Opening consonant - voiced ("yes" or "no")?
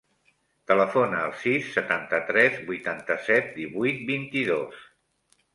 no